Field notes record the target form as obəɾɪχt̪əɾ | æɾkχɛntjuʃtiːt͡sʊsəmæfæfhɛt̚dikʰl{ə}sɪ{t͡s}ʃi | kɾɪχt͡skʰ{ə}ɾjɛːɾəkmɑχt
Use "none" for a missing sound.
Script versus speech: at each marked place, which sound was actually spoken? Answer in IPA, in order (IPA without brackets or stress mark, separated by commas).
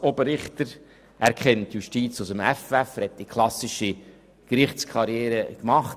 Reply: ɑ, none, ɑ